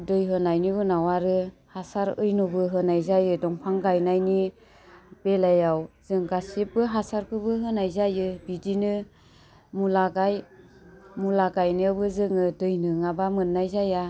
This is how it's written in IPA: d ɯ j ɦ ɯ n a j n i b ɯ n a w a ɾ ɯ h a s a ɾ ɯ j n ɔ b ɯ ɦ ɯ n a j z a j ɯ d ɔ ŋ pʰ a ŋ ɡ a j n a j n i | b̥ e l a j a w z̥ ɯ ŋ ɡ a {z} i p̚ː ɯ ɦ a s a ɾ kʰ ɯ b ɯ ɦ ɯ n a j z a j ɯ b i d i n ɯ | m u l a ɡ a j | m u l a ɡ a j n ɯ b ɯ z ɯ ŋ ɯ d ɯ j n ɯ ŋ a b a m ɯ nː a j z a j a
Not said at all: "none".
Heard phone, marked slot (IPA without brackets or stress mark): s